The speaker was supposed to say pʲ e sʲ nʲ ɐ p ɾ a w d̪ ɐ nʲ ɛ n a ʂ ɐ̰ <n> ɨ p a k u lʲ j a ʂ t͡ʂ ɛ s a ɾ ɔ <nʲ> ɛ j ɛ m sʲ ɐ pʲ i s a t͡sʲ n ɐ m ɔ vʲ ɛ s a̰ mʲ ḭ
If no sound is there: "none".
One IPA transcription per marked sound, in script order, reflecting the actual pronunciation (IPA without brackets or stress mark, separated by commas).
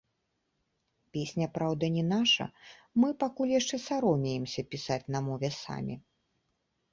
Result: m, mʲ